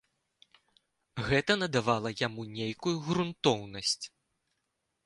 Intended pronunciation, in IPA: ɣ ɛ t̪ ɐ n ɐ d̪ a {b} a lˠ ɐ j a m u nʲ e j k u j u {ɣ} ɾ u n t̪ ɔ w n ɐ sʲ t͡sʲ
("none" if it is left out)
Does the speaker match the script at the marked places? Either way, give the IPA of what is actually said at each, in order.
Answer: v, ɣ

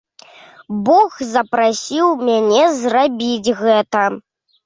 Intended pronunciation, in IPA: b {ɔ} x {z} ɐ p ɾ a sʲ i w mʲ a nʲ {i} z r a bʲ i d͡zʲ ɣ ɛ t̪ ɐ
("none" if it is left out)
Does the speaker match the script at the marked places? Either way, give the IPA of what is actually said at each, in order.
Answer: ɔ, z, ɛ

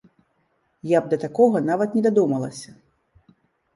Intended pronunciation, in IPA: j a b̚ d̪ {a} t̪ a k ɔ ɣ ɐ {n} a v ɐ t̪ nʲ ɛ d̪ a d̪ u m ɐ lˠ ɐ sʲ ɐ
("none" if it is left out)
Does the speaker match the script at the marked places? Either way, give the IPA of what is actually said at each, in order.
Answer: ɐ, n

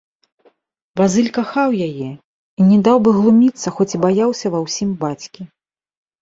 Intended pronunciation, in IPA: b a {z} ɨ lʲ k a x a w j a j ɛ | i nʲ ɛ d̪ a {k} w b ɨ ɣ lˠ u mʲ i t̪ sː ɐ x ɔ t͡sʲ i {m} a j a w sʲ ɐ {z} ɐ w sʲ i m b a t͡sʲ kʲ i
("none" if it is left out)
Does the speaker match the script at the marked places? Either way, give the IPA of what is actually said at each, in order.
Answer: z, none, b, v

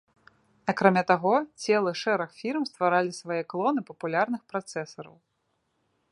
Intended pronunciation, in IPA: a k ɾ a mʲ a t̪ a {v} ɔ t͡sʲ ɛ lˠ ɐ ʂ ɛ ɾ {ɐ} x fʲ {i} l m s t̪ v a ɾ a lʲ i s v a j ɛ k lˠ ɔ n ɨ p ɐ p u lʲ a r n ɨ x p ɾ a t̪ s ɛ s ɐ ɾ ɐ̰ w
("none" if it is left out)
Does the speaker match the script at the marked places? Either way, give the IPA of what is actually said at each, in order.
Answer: ɣ, ɐ, i

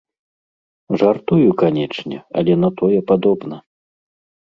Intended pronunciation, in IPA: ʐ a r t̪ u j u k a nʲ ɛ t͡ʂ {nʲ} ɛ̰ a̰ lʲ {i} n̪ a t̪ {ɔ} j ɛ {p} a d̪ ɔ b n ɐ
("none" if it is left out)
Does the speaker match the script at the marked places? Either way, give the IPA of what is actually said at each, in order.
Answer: nʲ, ɛ, ɔ, p

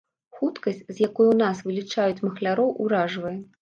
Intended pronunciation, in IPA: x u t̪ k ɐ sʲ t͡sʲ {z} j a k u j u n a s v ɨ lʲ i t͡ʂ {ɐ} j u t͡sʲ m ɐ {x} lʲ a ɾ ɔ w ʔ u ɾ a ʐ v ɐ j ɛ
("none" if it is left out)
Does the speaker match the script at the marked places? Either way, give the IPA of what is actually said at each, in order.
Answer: z, a, x

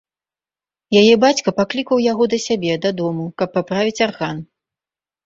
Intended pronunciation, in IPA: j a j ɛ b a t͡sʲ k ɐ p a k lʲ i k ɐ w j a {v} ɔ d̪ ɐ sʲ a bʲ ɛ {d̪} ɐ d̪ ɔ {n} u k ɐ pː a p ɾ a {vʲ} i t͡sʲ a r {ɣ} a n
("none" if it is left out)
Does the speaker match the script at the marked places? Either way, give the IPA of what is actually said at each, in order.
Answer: ɣ, d̪, m, vʲ, ɣ

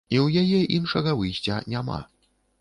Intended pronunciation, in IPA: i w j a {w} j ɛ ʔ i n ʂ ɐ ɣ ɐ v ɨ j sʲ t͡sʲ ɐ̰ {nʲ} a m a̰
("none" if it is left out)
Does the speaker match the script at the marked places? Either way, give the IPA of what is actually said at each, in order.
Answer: none, nʲ

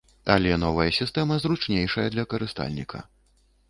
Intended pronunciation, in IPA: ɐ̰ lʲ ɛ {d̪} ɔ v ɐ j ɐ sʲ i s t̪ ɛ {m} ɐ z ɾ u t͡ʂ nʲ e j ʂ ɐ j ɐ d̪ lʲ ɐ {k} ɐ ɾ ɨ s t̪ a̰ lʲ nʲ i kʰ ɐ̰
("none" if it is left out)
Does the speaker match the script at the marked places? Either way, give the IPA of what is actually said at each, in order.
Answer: n̪, m, k

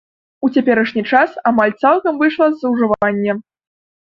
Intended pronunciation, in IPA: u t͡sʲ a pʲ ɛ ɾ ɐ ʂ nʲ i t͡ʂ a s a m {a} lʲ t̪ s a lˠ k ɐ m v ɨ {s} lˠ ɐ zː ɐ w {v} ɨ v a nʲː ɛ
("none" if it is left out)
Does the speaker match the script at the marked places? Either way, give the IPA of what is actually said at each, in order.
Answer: a, ʂ, ʐ

